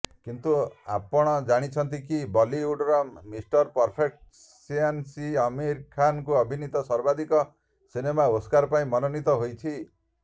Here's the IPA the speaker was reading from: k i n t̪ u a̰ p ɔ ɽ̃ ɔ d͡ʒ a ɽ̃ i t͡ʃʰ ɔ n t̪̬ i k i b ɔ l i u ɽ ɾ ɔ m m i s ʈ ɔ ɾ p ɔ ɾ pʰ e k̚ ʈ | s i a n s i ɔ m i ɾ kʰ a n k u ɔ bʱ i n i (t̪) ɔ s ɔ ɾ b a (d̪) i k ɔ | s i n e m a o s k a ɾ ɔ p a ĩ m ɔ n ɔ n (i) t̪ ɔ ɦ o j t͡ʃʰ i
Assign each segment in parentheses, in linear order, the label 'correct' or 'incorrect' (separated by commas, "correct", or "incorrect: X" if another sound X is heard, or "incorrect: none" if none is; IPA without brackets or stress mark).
correct, correct, correct